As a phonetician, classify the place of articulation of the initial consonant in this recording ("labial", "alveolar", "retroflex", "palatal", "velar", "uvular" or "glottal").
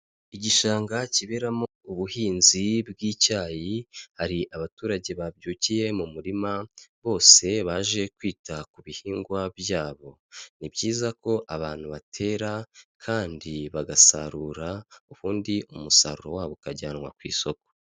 palatal